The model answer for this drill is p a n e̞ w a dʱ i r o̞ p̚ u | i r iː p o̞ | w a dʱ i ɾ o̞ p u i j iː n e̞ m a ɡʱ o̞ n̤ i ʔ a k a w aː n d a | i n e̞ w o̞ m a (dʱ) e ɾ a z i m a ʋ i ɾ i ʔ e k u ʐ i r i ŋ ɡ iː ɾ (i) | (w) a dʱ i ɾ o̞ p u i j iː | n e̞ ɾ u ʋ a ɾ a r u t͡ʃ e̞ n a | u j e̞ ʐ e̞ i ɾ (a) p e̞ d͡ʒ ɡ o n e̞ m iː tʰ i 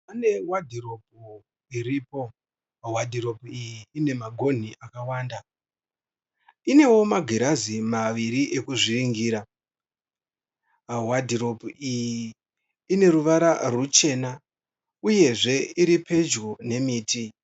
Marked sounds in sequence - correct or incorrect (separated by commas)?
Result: incorrect, incorrect, correct, incorrect